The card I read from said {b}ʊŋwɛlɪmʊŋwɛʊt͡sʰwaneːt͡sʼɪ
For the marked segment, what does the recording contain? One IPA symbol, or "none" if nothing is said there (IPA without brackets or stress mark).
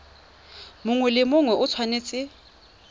m